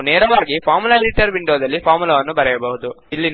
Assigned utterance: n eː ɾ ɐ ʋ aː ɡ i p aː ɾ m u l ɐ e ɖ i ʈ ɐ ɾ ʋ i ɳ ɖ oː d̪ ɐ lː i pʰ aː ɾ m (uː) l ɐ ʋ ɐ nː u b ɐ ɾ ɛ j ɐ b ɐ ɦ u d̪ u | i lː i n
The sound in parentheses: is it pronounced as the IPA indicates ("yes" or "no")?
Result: no